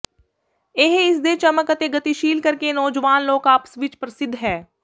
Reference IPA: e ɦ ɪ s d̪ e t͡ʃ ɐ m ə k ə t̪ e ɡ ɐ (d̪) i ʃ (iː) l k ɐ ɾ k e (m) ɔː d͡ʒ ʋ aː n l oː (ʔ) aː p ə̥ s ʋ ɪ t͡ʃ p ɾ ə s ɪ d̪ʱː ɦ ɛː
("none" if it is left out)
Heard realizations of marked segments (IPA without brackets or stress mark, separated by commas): t̪, iː, n, k